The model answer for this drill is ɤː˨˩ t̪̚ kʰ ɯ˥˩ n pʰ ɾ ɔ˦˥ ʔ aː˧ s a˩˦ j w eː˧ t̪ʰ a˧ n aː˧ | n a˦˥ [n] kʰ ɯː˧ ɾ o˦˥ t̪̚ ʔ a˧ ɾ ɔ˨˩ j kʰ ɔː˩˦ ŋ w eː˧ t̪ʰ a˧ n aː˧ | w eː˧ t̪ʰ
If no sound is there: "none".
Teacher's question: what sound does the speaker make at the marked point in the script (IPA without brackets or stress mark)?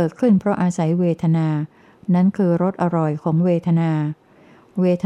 n